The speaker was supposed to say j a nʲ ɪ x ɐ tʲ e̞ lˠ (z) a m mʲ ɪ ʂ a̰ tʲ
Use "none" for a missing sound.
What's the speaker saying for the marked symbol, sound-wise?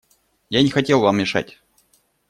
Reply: v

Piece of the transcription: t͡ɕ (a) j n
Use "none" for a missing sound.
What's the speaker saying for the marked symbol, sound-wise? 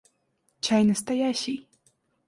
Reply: a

